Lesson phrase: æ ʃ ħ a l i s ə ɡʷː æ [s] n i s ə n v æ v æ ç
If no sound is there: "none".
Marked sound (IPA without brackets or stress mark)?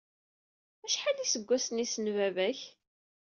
s